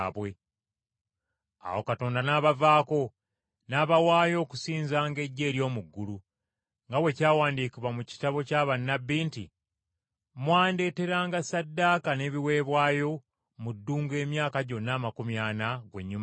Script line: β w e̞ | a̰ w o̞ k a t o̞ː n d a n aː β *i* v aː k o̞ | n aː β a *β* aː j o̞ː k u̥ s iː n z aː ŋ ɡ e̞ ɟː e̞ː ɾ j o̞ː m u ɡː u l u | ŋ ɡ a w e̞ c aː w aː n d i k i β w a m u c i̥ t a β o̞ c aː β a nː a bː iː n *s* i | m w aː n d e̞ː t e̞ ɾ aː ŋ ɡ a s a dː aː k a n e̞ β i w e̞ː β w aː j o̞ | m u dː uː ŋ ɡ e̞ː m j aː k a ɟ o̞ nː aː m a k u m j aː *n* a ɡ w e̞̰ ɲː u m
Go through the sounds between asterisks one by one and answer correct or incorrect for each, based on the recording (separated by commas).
incorrect, incorrect, incorrect, correct